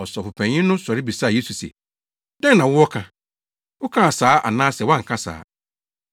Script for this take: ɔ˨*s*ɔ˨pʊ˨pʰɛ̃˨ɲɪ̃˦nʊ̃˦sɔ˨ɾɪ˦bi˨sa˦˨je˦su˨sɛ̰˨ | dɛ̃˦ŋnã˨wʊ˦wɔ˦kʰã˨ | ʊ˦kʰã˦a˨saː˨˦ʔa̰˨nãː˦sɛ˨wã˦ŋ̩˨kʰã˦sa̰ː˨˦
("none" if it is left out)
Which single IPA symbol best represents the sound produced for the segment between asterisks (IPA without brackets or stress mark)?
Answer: s